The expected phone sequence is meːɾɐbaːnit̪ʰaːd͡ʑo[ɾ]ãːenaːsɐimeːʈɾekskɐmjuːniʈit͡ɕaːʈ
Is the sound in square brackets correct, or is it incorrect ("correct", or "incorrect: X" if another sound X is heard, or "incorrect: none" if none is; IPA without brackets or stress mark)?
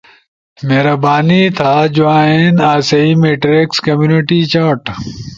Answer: incorrect: none